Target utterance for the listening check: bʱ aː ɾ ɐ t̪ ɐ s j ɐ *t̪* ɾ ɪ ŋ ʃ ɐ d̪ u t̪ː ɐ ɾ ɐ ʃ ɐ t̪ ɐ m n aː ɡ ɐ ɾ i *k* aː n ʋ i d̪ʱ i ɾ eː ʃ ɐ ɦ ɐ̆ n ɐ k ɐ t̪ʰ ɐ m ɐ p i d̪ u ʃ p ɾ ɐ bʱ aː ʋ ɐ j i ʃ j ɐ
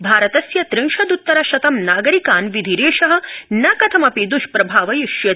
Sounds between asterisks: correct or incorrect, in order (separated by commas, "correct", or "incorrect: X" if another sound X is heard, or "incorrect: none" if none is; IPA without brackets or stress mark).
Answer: correct, correct